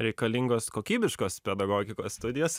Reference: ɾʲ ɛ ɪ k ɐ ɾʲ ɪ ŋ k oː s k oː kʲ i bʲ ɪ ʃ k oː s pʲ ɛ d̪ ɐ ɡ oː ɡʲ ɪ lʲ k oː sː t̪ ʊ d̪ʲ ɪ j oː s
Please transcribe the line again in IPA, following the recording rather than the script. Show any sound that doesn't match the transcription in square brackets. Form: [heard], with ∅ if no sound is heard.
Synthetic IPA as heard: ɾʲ ɛ ɪ k ɐ [lʲ] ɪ ŋ [ɡ] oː s k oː kʲ [iː] bʲ ɪ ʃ k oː s pʲ ɛ d̪ ɐ ɡ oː ɡʲ ɪ [∅] k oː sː t̪ ʊ d̪ʲ ɪ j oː s